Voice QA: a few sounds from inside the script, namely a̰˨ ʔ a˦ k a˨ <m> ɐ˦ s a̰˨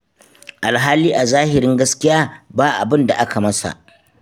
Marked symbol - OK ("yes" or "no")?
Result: yes